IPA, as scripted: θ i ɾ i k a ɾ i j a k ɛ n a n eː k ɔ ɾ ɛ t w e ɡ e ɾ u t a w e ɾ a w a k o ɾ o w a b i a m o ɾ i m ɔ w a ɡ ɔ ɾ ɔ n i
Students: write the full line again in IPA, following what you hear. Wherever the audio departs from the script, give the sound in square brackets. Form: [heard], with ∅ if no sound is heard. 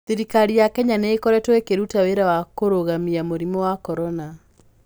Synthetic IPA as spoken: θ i ɾ i k a ɾ i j a k ɛ [ɲ] a n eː k ɔ ɾ ɛ t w e [k] e ɾ u t a w e ɾ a w a k o ɾ o [ɣ] a [m] i a m o ɾ i m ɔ w a [k] ɔ ɾ ɔ n [a]